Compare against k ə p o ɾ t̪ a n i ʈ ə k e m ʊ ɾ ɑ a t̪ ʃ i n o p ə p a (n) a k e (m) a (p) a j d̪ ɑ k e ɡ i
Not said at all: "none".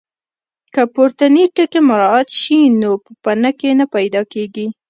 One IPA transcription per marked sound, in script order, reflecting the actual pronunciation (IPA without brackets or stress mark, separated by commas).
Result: n, n, p